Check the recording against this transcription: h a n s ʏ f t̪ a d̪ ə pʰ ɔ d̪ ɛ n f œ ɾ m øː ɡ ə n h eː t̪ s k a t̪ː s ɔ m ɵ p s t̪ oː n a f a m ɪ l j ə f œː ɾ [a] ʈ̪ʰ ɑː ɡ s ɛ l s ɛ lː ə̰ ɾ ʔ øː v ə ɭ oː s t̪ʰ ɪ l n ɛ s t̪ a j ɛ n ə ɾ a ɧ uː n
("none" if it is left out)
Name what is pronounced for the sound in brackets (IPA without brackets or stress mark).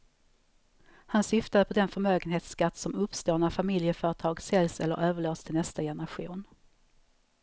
ə